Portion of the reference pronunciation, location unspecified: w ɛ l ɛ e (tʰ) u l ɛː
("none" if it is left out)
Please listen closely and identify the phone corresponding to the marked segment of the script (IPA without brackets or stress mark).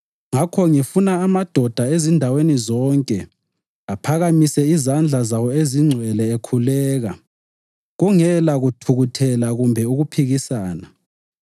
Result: kʰ